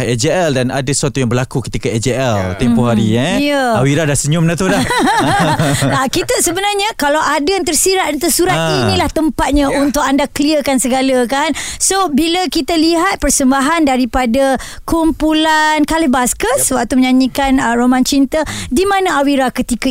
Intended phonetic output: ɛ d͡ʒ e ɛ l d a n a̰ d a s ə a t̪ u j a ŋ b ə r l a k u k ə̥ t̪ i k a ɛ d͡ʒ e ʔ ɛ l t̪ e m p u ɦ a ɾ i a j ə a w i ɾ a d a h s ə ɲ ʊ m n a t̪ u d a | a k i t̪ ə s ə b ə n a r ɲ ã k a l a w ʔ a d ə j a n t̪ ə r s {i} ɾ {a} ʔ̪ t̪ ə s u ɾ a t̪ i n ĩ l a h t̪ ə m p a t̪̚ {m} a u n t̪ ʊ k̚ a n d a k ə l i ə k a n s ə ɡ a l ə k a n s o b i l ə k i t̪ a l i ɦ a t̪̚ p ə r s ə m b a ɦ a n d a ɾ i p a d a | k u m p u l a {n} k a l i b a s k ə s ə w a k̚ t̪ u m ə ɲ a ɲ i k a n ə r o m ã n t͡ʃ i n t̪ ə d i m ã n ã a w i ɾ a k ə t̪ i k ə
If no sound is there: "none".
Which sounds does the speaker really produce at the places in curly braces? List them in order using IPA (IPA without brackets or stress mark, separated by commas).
i, a, ɲ, n